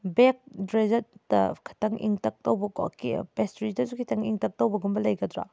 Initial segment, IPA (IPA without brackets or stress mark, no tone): b